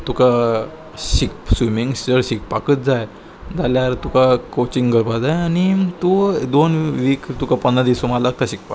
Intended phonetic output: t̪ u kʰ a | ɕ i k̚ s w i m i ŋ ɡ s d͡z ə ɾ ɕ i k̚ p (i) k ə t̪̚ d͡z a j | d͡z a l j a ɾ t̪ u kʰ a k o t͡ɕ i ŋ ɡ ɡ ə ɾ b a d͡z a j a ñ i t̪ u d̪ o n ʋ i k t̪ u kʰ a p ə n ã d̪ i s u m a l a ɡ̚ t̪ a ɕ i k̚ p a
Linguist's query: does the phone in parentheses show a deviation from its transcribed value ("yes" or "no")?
yes